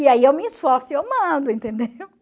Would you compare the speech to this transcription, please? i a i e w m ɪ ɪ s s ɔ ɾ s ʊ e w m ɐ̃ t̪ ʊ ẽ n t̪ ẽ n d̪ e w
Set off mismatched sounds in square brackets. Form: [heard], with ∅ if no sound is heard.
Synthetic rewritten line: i a i e w m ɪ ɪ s [f] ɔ ɾ s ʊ e w m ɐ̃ [d̪] ʊ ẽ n t̪ ẽ n d̪ e w